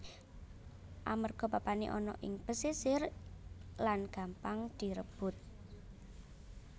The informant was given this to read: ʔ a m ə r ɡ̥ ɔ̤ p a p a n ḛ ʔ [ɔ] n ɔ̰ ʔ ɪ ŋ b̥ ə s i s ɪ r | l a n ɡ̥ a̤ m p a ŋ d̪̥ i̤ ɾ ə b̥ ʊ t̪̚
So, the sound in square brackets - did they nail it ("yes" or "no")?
yes